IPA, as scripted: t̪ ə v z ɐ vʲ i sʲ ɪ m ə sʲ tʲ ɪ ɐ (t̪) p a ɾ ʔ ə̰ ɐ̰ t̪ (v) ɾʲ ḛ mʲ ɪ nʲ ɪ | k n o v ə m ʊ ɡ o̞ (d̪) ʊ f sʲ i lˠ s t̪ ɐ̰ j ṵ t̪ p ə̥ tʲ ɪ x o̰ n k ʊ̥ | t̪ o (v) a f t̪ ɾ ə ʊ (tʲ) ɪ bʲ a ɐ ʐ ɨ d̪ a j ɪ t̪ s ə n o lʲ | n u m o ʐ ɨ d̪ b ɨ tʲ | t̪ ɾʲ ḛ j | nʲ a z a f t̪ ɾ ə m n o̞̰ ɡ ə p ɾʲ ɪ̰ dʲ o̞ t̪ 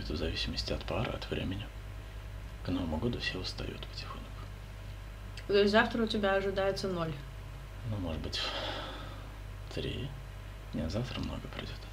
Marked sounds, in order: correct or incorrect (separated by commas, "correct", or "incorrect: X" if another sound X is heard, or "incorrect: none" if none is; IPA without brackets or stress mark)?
correct, correct, correct, incorrect: z, correct